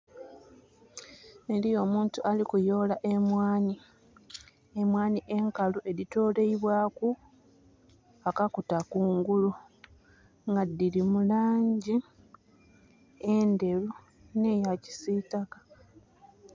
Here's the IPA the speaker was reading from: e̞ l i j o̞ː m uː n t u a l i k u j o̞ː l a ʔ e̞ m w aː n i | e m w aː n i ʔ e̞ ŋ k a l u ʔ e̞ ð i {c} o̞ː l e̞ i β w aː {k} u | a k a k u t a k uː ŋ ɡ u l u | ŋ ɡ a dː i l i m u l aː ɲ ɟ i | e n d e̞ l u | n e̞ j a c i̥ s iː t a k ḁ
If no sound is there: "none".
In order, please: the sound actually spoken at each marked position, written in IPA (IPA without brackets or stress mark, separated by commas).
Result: t, k